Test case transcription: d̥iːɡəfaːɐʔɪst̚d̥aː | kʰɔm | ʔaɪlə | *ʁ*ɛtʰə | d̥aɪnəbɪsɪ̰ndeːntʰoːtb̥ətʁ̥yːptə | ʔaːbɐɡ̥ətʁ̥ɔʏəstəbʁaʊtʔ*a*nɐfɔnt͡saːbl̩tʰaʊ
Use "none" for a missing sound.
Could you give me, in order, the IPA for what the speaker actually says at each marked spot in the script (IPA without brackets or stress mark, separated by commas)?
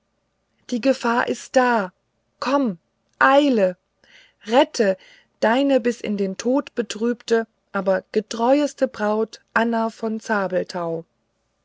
ʁ, a